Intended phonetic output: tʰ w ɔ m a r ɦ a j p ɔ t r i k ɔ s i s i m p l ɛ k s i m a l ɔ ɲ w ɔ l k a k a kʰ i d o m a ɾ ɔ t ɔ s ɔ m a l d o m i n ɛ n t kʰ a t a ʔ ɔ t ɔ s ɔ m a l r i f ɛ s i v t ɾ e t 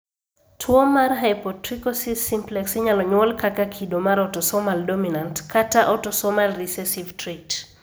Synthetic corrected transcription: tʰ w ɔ m a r ɦ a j p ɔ t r i k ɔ s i s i m p l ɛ k s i ɲ a l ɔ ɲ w ɔ l k a k a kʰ i d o m a ɾ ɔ t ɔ s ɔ m a l d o m i n a n t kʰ a t a ʔ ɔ t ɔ s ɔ m a l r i s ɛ s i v t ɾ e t